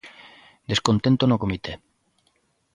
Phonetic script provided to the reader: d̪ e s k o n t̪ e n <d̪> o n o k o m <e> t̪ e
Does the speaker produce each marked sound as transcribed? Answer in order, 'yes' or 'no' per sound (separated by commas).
no, no